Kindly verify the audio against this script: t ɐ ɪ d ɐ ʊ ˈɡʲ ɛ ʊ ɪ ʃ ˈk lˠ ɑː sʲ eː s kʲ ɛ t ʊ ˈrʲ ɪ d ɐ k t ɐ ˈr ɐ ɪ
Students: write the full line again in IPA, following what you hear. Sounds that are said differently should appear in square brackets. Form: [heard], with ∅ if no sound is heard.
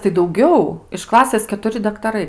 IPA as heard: t ɐ ɪ d ɐ ʊ ˈɡʲ ɛ ʊ ɪ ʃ ˈk lˠ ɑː sʲ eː s kʲ ɛ t ʊ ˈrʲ ɪ d ɐ k t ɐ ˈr ɐ ɪ